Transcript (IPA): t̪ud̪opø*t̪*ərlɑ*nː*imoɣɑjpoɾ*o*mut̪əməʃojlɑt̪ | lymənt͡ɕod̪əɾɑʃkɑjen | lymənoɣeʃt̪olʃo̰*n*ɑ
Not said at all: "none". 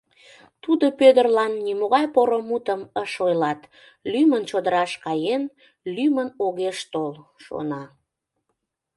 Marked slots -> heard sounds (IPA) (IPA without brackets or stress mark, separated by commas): d̪, nː, o, n